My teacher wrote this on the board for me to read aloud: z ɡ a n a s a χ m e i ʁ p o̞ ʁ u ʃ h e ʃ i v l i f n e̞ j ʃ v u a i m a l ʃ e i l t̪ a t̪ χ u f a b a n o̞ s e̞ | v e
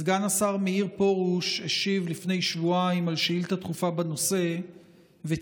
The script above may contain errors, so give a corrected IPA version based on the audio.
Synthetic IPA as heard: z ɡ a n a s a ʁ m e i ʁ p o̞ ʁ u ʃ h e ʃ i v l i f n e̞ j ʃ v u a i m a l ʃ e i l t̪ a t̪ χ u f a b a n o̞ s e̞ | v e